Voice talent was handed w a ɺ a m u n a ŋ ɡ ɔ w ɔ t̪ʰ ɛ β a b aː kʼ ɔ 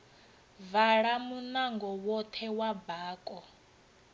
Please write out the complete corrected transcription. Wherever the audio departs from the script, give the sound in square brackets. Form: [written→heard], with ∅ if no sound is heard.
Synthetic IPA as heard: [w→v] a ɺ a m u n a ŋ ɡ ɔ w ɔ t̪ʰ ɛ [β→w] a b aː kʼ ɔ